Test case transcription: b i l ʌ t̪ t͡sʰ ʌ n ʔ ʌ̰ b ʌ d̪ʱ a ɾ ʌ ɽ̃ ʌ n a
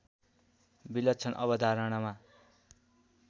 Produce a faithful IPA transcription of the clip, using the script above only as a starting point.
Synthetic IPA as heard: b i l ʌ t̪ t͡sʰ ʌ n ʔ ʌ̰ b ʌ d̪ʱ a ɾ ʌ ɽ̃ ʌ m a